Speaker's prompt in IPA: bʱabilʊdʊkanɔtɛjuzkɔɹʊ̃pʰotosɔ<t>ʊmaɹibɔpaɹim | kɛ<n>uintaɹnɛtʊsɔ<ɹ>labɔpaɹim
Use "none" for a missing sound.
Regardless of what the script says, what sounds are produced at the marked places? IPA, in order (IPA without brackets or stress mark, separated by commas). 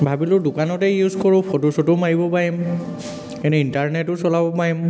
t, n, none